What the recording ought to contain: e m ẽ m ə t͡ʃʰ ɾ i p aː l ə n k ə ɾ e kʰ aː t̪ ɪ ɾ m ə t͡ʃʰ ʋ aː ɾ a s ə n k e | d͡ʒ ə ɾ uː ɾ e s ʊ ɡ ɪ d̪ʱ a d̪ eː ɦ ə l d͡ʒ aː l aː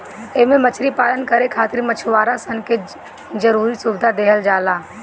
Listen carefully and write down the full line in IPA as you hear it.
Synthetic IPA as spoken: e m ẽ m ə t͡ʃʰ ɾ i p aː l ə n k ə ɾ e kʰ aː t̪ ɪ ɾ m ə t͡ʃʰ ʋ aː ɾ a s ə n k e | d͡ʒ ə ɾ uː ɾ i s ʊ b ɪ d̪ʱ a d̪ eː ɦ ə l d͡ʒ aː l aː